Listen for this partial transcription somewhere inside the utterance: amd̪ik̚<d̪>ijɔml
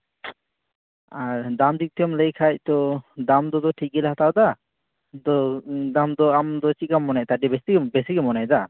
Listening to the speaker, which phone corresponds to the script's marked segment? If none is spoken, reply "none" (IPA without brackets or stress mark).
t̪